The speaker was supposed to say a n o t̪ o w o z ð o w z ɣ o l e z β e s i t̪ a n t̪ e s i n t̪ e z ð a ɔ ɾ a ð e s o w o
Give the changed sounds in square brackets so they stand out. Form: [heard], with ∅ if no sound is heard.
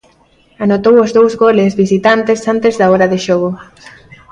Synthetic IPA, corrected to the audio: a n o t̪ o w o z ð o w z ɣ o l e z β [i] s i t̪ a n t̪ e s [a] n t̪ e z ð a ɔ ɾ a ð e [ʃ] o [ɣ] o